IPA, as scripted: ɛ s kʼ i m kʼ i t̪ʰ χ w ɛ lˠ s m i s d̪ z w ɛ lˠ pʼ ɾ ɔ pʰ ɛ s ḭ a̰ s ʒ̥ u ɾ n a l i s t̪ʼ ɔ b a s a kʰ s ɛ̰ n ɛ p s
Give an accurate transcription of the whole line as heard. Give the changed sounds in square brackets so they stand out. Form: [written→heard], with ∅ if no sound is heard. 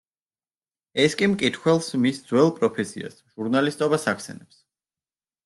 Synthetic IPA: ɛ s kʼ i m kʼ i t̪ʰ χ w ɛ lˠ s m i s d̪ z w ɛ lˠ pʼ ɾ ɔ pʰ ɛ s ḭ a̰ s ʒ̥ u ɾ n a l i s t̪ʼ ɔ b a s a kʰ s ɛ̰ n ɛ p s